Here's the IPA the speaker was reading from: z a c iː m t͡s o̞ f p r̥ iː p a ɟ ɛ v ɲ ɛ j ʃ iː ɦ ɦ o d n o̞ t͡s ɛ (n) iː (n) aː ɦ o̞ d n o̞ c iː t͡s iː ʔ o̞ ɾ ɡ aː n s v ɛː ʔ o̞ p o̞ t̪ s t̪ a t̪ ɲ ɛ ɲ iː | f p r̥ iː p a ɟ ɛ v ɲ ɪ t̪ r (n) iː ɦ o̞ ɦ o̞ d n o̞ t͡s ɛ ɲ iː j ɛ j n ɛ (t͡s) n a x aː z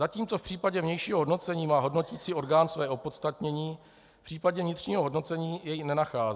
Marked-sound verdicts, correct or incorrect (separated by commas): incorrect, incorrect, incorrect, incorrect